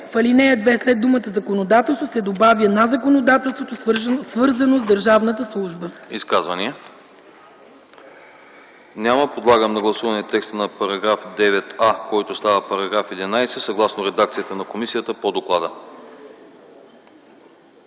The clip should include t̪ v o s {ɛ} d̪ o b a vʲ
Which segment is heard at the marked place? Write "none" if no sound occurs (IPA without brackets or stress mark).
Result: ɛ